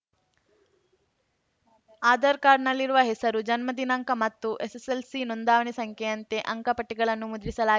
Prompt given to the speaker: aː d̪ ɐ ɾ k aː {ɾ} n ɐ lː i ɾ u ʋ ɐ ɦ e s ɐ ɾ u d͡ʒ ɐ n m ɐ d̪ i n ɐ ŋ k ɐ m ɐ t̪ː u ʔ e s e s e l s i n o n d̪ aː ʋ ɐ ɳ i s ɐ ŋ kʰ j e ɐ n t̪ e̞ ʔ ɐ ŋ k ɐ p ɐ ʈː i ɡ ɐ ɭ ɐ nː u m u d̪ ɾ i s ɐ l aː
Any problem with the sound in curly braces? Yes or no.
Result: no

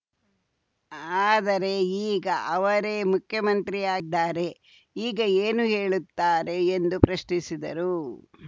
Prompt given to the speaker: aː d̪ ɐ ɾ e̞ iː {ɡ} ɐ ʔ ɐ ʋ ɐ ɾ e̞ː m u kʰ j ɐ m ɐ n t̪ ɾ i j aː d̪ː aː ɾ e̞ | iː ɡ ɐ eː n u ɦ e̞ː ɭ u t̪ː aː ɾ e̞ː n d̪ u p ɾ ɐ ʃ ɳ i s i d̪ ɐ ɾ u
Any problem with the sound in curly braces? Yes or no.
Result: no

